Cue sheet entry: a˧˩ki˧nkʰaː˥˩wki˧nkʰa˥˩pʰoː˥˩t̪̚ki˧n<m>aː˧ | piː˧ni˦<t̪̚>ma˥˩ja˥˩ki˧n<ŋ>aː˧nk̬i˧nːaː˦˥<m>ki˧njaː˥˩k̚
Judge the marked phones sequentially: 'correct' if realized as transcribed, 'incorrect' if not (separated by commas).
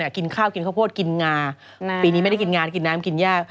incorrect, incorrect, correct, correct